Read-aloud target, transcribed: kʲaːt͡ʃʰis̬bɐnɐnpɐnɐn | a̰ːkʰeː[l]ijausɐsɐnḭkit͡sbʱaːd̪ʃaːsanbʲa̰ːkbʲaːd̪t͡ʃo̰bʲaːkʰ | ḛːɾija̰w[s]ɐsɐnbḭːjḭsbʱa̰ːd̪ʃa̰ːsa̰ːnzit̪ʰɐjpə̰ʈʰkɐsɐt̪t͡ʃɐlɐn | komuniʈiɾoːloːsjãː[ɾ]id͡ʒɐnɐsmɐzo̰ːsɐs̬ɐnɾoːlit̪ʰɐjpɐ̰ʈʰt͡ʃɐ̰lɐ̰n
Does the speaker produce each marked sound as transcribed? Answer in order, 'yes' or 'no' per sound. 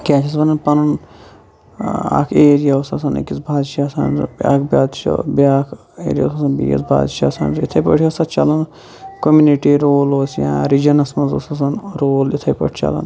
no, yes, yes

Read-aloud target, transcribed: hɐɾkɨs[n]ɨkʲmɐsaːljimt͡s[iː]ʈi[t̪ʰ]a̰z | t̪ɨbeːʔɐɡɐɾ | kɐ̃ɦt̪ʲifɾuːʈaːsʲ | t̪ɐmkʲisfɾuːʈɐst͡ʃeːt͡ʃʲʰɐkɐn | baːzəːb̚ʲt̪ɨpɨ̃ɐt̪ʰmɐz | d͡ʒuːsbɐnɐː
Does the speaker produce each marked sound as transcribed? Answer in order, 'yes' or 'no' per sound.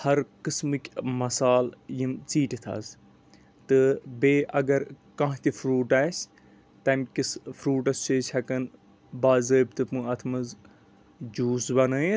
no, yes, yes

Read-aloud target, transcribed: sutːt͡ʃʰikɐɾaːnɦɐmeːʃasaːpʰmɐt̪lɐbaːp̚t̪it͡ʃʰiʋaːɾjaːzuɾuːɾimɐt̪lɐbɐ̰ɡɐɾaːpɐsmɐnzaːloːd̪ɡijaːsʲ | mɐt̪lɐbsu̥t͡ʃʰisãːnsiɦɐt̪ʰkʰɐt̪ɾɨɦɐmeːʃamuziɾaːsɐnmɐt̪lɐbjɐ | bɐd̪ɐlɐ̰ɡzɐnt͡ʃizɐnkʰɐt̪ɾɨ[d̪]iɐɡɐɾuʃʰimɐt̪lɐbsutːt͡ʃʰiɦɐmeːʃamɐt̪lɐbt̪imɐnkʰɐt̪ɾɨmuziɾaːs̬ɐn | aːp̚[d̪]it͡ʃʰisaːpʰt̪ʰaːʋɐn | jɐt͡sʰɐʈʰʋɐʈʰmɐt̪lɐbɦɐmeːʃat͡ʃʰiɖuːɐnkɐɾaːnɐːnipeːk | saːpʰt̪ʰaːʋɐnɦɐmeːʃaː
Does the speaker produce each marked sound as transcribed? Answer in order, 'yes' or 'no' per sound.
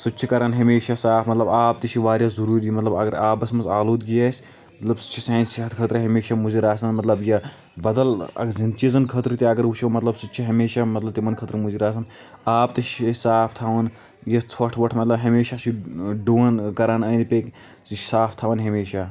no, no

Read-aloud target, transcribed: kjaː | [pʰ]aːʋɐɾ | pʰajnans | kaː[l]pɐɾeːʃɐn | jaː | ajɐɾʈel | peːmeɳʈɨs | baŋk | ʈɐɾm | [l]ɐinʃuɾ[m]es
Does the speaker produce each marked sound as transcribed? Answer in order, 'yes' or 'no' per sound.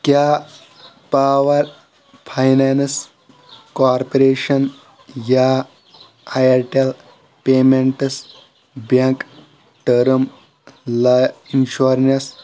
no, no, yes, no

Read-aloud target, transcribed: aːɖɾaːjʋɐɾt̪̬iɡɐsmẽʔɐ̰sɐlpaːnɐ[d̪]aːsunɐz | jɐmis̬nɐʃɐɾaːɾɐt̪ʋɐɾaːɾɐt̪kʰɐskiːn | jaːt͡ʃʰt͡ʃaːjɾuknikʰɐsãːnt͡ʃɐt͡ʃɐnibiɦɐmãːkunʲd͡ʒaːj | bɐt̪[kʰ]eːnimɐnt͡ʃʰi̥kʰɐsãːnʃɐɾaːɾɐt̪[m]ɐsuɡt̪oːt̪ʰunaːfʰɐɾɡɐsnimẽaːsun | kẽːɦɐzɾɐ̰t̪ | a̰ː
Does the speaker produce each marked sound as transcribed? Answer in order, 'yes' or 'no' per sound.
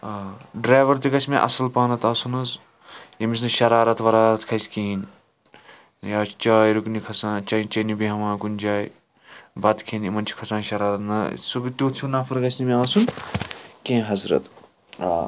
no, yes, no

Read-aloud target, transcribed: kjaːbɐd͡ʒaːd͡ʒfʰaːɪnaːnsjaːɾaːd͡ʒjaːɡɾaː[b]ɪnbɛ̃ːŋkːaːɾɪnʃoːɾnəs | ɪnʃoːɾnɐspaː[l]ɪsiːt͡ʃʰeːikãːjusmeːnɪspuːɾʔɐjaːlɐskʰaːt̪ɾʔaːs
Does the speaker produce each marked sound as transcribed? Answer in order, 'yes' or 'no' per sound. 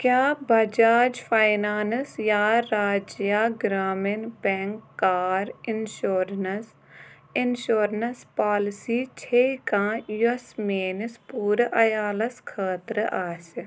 no, yes

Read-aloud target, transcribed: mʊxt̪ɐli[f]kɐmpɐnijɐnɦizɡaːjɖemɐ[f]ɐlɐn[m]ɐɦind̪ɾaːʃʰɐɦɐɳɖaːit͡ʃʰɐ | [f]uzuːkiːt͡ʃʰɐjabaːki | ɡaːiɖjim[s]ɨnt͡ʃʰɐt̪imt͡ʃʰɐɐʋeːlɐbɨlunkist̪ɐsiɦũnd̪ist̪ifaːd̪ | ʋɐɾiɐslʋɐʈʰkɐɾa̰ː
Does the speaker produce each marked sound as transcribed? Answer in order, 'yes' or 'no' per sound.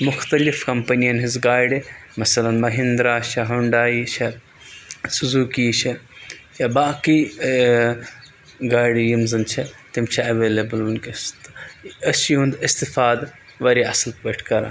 yes, no, yes, no, no

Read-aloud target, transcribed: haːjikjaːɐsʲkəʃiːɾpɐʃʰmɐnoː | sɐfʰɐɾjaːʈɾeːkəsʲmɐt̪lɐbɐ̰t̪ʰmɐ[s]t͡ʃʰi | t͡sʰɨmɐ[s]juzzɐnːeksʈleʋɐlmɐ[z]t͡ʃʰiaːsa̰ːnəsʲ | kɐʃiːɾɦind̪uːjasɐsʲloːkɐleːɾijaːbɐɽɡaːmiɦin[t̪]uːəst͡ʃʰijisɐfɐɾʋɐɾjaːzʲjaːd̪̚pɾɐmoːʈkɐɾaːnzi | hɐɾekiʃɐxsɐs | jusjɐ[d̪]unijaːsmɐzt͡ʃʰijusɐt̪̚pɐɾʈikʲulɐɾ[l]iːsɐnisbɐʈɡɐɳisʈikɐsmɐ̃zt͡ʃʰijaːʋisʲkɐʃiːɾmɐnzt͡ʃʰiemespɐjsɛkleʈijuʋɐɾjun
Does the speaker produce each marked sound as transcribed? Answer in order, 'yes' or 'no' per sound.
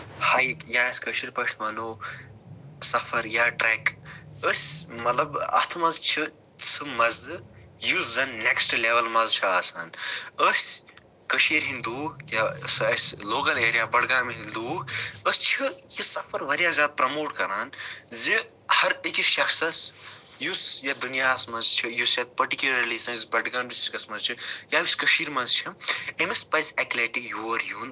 no, no, yes, no, yes, yes

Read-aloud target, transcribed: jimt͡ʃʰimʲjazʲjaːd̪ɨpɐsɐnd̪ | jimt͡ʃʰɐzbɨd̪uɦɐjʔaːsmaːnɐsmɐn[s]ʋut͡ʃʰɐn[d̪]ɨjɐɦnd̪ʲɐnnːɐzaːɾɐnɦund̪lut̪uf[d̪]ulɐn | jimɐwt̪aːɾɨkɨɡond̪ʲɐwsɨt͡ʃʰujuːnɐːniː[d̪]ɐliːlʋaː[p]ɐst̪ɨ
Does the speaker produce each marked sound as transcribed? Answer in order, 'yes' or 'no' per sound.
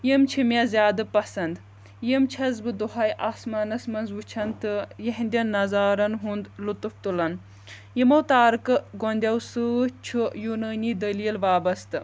no, no, no, yes, no

